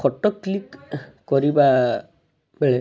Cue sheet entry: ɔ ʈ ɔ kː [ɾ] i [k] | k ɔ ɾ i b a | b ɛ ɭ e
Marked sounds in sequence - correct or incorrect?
incorrect, correct

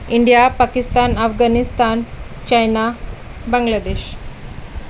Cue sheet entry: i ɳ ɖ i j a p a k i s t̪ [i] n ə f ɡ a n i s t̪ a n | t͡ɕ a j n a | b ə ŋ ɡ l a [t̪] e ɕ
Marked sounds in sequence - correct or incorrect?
incorrect, incorrect

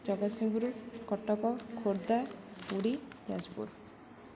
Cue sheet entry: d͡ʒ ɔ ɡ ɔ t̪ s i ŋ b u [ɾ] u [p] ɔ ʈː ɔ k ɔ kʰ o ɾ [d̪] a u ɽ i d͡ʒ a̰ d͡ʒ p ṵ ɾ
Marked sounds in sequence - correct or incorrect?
correct, incorrect, correct

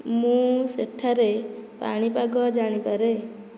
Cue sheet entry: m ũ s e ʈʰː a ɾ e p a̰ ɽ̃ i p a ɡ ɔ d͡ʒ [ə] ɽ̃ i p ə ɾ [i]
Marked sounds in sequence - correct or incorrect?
incorrect, incorrect

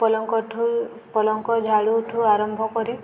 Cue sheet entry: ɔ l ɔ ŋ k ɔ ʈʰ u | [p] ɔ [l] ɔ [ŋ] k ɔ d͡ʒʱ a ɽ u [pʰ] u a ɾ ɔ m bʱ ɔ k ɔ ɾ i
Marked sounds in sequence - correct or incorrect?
correct, correct, correct, incorrect

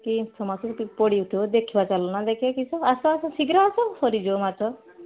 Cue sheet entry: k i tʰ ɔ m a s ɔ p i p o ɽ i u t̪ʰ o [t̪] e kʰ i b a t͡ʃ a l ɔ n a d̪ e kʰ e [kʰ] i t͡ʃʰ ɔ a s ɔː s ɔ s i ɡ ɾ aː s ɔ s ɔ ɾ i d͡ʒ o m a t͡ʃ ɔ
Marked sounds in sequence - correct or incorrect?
incorrect, incorrect

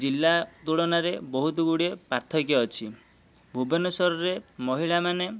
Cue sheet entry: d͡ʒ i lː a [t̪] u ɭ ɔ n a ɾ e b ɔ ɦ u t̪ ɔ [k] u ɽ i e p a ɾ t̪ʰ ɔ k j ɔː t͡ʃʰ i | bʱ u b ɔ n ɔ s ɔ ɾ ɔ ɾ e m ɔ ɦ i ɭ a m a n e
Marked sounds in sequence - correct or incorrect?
correct, incorrect

